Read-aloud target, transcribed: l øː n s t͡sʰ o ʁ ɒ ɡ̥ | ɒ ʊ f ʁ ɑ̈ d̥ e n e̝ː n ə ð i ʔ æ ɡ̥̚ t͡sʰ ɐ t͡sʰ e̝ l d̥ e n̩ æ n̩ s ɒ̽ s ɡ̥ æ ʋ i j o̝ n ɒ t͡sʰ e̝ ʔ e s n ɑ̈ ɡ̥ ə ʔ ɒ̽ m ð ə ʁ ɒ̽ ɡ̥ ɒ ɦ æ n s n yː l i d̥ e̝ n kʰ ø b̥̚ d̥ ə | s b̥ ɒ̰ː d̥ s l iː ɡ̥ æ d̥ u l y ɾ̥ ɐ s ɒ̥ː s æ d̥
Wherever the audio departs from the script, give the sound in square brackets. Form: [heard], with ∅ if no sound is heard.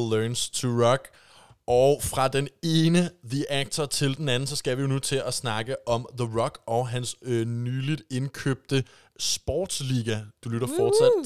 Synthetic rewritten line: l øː n s t͡sʰ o ʁ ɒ ɡ̥ | ɒ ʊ f ʁ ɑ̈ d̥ e n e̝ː n ə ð i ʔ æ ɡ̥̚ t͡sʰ ɐ t͡sʰ e̝ l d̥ e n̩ æ n̩ s ɒ̽ s ɡ̥ æ ʋ i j o̝ n [u] t͡sʰ e̝ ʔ [æ] s n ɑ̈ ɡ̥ ə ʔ ɒ̽ m ð ə ʁ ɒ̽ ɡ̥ ɒ ɦ æ n s n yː l i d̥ e̝ n kʰ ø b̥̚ d̥ ə | s b̥ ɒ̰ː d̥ s l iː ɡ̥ æ d̥ u l y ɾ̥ ɐ [f] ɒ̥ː s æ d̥